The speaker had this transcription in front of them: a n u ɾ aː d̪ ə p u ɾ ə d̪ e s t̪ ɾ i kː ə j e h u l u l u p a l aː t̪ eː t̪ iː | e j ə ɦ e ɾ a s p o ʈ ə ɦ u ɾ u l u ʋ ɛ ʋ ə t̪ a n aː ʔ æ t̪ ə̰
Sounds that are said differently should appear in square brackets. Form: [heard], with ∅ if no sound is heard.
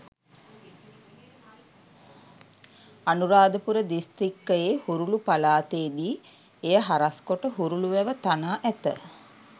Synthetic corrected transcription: a n u ɾ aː d̪ ə p u ɾ ə d̪ [i] s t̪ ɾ i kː ə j e h u [ɾ] u l u p a l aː t̪ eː [d̪] iː | e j ə ɦ [a] ɾ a s [k] o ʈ ə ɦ u ɾ u l u ʋ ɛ ʋ ə t̪ a n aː ʔ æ t̪ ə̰